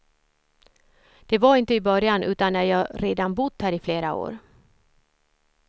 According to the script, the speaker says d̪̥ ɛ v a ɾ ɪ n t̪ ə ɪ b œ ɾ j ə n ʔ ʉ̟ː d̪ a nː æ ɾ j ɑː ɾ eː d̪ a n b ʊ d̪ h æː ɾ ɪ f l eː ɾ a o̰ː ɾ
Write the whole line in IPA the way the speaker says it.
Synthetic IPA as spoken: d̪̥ ɛ v a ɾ ɪ n t̪ ə ɪ b œ ɾ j a n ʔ ʉ̟ː t̪ a nː æ ɾ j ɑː ɾ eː d̪ a n b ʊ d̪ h æː ɾ ɪ f l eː ɾ a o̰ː ɾ